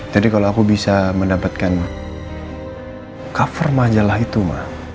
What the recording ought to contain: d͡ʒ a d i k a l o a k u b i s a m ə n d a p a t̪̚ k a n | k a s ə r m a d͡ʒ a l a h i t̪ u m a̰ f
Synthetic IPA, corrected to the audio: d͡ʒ a d i k a l o a k u b i s a m ə n d a p a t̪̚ k a n | k a f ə r m a d͡ʒ a l a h i t̪ u m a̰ h